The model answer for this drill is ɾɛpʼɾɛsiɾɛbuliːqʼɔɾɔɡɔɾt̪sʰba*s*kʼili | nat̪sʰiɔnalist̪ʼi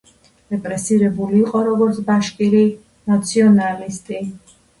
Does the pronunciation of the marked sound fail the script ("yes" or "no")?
yes